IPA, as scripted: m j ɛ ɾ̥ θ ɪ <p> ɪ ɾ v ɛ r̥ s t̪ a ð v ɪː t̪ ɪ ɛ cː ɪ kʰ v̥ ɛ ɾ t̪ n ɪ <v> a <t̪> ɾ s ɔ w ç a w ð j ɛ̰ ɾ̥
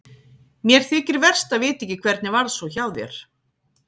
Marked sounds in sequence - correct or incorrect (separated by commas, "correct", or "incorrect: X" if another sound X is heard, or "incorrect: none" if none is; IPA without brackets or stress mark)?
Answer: incorrect: c, correct, incorrect: none